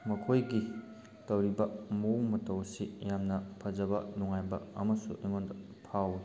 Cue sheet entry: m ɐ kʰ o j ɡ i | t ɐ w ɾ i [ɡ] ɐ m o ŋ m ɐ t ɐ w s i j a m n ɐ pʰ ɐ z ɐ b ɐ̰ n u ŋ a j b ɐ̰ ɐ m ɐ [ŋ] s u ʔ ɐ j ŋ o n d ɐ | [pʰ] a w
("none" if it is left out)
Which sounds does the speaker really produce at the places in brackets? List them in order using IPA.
b, none, pʰ

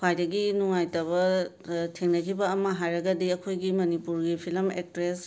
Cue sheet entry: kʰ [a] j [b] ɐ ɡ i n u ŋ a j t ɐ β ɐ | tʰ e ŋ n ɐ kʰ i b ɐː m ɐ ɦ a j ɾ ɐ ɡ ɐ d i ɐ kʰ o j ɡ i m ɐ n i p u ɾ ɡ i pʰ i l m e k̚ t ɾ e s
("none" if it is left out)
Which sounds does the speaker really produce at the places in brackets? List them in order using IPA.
a, d

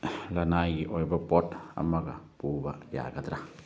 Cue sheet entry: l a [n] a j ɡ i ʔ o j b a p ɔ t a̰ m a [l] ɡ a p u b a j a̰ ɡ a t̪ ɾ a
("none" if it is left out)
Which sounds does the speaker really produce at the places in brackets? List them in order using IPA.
n, none

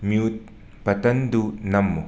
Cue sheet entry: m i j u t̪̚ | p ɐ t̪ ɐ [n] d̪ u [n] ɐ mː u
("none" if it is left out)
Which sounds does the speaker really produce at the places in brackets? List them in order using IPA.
n, n

